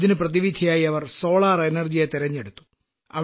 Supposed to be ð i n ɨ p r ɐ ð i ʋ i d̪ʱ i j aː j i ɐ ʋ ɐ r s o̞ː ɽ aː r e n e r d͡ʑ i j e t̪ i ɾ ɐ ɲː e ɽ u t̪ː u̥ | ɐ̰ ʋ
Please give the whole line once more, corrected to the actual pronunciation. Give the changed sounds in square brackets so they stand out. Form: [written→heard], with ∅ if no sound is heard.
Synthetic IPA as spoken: ð i n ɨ p r ɐ ð i ʋ i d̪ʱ i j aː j i ɐ ʋ ɐ r s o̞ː [ɽ→ɭ] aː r e n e r d͡ʑ i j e t̪ i ɾ ɐ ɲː e ɽ u t̪ː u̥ | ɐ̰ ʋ